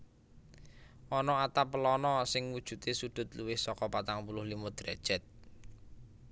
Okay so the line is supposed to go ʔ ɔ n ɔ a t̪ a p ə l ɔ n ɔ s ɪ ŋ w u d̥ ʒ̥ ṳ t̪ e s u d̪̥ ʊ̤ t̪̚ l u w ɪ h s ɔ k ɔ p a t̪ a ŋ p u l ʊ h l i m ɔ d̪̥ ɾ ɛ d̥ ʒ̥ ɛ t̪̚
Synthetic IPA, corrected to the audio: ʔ ɔ n ɔ a t̪ a p ə l ɔ n ɔ s ɪ ŋ w u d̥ ʒ̥ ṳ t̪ e s u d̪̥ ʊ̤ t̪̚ l u w ɪ h s ɔ k ɔ p a t̪ a ŋ p u l ʊ h l i m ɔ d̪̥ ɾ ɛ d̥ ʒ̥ ɛ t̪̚